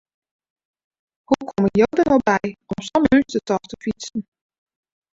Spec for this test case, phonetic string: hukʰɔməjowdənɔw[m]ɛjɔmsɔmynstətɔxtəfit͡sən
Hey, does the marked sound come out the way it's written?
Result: no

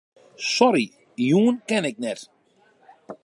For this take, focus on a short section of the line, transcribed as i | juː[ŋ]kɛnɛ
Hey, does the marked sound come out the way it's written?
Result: no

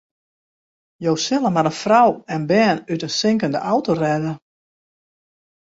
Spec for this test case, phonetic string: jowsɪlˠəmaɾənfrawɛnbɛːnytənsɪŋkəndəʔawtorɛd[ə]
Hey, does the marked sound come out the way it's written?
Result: yes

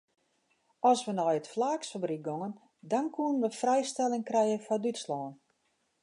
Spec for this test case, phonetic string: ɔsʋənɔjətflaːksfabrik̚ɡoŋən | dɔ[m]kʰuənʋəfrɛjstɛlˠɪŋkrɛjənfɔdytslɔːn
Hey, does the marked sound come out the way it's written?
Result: no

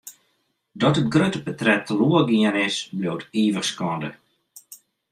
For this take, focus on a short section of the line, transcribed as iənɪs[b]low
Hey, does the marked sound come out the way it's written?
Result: yes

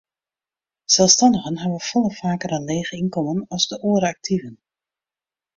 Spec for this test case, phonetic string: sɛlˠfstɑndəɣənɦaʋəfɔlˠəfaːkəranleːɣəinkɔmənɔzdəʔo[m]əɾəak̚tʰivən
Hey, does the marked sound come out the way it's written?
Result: no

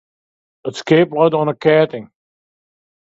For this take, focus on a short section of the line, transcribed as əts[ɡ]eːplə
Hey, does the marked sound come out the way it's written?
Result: no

